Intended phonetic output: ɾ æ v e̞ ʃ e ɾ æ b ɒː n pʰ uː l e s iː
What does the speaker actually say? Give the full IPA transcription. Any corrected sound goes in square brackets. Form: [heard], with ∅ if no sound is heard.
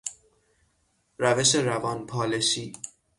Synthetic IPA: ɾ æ v e̞ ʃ e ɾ æ [v] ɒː n pʰ [ɒː] l e [ʃ] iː